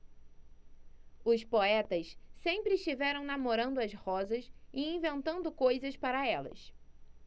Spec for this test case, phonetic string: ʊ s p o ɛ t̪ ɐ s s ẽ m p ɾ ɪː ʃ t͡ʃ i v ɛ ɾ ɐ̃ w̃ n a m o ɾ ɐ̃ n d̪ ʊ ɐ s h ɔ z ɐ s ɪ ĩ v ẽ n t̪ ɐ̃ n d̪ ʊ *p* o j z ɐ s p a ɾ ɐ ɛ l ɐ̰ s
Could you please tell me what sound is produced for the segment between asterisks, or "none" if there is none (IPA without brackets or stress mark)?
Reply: k